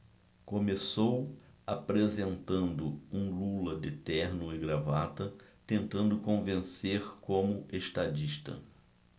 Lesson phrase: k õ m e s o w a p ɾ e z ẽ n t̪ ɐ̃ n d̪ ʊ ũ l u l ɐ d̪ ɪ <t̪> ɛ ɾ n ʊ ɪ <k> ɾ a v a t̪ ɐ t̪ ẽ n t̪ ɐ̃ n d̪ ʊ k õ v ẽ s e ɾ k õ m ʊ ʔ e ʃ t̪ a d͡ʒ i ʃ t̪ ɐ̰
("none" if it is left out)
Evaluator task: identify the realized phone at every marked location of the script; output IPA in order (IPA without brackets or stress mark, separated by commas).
t̪, ɡ